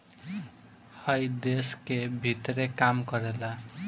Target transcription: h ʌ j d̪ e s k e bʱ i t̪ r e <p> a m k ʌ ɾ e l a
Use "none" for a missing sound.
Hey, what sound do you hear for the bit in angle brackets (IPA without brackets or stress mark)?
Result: k